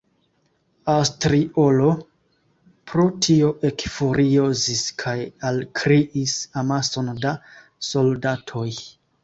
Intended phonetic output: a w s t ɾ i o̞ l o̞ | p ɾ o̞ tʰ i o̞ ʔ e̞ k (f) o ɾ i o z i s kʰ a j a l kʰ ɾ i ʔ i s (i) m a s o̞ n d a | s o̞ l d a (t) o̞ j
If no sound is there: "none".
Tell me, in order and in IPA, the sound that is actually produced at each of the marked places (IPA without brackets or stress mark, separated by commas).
f, a, tʰ